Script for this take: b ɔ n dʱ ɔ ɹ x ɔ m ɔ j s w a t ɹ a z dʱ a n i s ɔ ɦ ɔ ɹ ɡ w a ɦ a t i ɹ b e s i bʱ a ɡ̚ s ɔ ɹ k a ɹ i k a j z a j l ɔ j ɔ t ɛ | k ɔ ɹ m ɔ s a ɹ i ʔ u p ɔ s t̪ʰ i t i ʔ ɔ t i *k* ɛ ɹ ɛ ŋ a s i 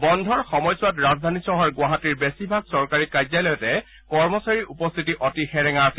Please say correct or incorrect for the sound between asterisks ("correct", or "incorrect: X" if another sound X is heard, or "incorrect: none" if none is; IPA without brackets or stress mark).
incorrect: x